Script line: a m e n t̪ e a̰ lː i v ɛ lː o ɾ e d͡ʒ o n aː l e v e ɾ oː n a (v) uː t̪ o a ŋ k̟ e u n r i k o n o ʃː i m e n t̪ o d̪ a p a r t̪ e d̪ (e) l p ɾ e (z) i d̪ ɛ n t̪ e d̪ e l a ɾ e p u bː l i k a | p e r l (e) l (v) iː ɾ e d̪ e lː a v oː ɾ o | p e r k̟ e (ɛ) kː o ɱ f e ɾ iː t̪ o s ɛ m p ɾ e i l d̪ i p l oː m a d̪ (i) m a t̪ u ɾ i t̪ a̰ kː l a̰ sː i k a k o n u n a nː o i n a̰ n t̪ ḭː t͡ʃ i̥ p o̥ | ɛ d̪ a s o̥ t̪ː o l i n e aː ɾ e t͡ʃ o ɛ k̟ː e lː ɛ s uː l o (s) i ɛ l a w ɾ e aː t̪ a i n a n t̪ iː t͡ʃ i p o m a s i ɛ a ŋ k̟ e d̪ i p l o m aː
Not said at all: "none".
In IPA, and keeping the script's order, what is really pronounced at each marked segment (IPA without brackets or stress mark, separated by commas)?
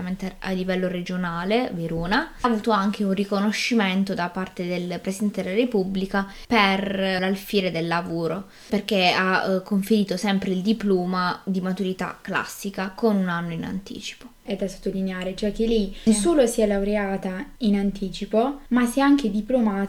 v, e, s, a, f, a, i, s